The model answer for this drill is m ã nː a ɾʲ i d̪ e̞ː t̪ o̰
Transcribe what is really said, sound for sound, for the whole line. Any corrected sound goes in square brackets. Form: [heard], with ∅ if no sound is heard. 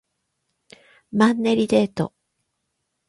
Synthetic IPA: m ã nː [e] ɾʲ i d̪ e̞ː t̪ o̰